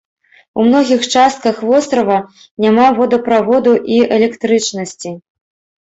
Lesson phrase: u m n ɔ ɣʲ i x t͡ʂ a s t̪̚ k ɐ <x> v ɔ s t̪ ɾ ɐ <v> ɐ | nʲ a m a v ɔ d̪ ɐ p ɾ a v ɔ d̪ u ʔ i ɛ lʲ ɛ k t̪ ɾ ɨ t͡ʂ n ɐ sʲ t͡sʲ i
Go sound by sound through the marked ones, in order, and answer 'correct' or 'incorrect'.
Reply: correct, correct

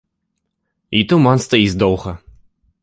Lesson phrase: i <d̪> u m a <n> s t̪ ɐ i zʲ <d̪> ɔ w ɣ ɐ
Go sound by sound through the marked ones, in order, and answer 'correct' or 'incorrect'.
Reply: incorrect, correct, correct

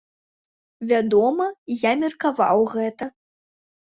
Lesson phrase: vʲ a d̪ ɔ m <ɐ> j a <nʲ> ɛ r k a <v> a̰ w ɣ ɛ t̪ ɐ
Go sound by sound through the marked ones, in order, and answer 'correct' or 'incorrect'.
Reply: correct, incorrect, correct

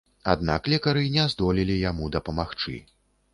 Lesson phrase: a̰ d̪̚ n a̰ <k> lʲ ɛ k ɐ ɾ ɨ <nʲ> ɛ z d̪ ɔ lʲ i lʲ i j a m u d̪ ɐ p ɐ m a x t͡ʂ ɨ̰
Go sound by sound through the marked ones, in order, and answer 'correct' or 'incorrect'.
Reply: correct, correct

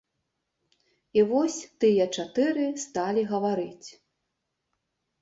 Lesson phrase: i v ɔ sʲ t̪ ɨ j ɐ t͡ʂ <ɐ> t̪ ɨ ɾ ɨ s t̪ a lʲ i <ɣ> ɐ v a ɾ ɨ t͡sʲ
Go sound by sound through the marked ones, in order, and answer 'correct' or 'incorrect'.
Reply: incorrect, correct

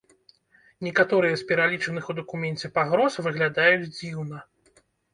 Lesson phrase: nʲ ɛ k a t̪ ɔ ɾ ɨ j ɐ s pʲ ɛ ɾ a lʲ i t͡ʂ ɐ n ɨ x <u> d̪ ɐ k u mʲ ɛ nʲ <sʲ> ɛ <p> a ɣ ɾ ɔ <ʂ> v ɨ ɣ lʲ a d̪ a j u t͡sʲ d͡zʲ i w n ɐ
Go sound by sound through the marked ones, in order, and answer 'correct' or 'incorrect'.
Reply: correct, incorrect, correct, incorrect

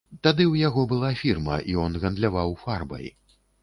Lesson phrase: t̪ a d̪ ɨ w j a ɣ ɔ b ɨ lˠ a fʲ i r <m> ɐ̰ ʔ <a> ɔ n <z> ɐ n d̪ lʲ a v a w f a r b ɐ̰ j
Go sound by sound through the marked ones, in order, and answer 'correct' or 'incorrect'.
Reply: correct, incorrect, incorrect

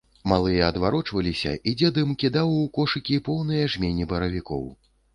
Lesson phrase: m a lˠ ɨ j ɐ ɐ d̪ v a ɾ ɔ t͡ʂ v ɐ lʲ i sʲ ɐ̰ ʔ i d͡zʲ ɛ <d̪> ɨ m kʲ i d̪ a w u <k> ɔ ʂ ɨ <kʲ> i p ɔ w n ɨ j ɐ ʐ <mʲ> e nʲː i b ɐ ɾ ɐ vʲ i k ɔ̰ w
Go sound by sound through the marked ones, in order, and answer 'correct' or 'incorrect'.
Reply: correct, correct, correct, correct

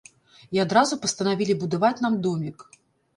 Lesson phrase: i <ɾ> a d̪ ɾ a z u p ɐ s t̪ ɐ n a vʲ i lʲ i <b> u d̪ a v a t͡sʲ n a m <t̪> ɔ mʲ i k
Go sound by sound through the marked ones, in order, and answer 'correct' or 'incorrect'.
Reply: incorrect, correct, incorrect

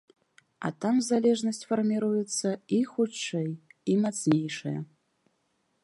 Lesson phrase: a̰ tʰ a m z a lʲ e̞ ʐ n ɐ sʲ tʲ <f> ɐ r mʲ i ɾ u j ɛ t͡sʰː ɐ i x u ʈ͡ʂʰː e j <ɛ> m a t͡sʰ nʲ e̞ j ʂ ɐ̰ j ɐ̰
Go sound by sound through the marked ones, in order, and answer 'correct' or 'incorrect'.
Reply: correct, incorrect

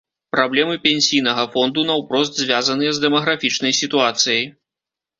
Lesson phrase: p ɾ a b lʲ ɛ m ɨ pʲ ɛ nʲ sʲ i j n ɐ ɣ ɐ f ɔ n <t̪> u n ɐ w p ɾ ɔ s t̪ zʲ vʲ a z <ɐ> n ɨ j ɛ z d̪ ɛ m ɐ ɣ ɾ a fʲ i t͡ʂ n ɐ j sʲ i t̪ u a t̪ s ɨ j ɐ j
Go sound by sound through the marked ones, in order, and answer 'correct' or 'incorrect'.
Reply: incorrect, correct

